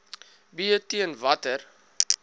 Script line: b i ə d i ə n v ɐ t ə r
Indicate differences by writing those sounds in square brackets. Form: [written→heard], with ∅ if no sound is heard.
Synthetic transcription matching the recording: b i ə [d→t] i ə n v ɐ t ə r